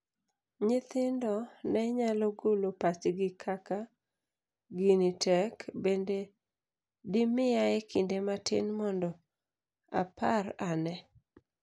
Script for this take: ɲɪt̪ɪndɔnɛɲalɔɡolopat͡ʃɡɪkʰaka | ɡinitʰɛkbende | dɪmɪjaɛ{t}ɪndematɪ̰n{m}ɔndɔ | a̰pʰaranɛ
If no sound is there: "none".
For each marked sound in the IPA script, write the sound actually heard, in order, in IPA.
k, m

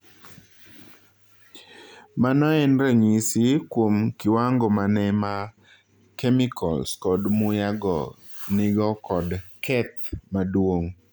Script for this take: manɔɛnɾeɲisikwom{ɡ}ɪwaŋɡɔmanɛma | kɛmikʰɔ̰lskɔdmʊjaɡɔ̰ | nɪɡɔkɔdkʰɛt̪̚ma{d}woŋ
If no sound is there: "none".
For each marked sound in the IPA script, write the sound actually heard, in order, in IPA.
k, d

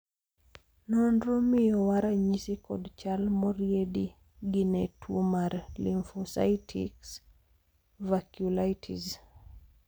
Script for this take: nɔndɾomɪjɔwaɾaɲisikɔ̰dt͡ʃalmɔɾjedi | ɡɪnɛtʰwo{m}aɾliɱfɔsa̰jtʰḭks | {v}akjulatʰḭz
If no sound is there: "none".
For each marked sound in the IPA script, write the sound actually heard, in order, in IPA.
m, v

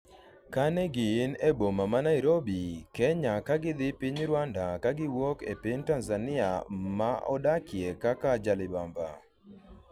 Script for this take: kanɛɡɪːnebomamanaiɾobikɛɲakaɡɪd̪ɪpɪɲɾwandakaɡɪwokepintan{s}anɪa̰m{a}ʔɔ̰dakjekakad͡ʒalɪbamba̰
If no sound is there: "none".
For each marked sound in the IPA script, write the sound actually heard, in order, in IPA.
z, a

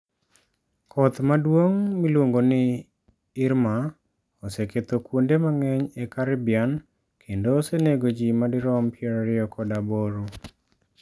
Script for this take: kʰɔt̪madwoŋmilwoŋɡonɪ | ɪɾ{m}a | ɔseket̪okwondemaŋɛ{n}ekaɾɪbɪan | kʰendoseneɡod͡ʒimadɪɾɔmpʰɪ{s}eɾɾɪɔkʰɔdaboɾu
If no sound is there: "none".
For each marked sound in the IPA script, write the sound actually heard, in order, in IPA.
m, ɲ, none

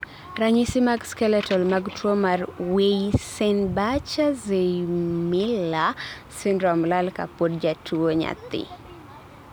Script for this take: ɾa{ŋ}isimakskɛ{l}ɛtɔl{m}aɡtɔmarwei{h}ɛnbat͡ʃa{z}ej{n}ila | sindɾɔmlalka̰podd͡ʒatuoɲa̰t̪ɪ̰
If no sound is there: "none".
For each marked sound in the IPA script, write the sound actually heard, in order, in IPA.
ɲ, l, m, s, z, m

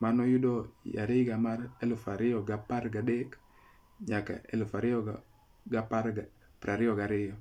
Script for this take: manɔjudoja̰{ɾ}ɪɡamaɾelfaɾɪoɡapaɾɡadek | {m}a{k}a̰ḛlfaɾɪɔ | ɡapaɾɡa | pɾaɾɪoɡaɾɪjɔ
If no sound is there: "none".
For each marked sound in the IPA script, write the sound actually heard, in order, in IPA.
ɾ, ɲ, k

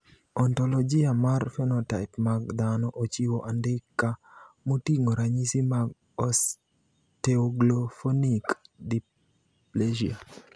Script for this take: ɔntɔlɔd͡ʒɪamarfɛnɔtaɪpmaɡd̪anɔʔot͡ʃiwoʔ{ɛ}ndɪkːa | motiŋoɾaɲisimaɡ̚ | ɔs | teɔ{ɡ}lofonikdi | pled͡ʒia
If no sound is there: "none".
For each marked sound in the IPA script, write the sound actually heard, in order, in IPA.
a, ɡ

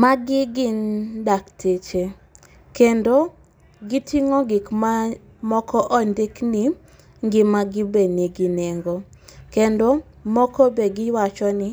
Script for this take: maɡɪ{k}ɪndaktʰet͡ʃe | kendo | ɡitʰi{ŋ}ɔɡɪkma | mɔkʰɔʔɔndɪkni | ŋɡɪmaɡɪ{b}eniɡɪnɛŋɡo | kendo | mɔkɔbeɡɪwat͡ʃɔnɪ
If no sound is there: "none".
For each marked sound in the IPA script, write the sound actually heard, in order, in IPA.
ɡ, ŋ, b

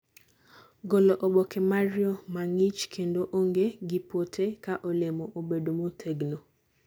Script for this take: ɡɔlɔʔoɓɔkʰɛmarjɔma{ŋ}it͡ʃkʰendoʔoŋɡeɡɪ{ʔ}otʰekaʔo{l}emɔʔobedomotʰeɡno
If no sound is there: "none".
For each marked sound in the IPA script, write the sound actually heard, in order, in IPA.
ŋ, p, l

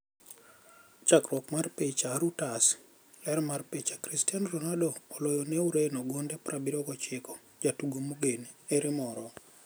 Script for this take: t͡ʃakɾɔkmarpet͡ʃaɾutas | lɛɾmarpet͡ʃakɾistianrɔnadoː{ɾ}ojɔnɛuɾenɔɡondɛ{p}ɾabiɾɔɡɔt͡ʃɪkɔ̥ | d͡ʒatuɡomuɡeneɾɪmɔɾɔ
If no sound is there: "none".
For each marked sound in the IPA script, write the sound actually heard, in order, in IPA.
l, p

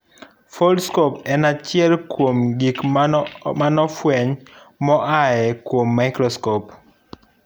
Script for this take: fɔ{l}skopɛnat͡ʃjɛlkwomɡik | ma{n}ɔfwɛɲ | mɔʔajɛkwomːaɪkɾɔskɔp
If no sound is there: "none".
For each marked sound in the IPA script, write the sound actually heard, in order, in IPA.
l, n

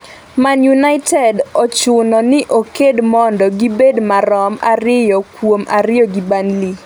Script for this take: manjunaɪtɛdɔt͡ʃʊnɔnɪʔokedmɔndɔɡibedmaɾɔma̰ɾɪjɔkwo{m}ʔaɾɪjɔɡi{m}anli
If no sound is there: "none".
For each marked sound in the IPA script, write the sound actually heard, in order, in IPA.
m, b

